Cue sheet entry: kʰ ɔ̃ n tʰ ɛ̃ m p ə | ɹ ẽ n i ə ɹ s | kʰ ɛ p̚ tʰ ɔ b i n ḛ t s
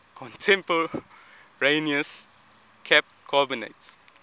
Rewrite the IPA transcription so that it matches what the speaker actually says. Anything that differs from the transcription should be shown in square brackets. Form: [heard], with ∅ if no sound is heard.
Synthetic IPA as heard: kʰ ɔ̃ n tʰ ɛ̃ m p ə | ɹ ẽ n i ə [∅] s | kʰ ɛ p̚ [kʰ] ɔ b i n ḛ t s